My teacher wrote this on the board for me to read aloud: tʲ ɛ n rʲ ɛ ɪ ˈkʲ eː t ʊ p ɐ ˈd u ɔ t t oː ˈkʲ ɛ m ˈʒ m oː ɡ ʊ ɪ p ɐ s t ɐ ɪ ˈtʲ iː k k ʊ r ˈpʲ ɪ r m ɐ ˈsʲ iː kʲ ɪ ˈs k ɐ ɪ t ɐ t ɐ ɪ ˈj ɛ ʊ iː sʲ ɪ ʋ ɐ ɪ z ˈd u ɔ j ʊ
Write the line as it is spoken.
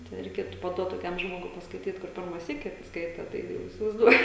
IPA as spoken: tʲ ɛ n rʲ ɛ ɪ ˈkʲ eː t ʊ p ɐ ˈd u ɔ t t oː ˈkʲ ɛ m ˈʒ m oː ɡ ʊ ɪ p ɐ s k ɐ ɪ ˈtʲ iː t k ʊ r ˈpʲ ɪ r m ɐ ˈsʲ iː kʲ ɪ ˈs k ɐ ɪ t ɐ t ɐ ɪ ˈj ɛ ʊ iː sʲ ɪ ʋ ɐ ɪ z ˈd u ɔ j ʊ